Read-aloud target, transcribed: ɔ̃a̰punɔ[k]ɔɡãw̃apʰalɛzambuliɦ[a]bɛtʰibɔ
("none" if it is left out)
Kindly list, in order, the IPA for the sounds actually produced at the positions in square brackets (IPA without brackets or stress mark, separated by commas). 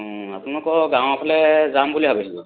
k, a